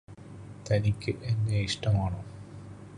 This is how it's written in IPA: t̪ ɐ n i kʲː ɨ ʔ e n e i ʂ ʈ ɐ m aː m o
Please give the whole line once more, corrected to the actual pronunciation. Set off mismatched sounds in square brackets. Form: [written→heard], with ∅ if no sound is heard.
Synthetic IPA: t̪ ɐ n i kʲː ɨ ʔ e [n→nː] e i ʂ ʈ ɐ m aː [m→ɳ] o

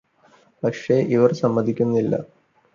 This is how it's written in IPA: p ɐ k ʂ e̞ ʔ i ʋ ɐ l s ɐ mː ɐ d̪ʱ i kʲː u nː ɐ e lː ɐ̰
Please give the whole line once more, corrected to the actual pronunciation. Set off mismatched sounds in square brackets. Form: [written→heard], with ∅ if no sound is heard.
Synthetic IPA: p ɐ k ʂ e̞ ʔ i ʋ ɐ [l→r] s ɐ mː ɐ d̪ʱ i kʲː u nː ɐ [e→i] lː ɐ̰

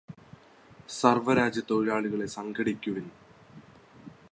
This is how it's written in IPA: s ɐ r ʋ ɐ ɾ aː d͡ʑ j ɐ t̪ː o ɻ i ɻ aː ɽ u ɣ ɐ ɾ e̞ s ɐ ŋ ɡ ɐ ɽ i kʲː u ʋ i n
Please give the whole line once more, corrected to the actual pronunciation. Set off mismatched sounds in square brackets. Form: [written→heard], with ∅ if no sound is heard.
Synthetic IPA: s ɐ r ʋ ɐ ɾ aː d͡ʑ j ɐ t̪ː o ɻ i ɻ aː [ɽ→ɭ] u ɣ ɐ [ɾ→ɭ] e̞ s ɐ ŋ ɡ ɐ ɽ i kʲː u ʋ i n

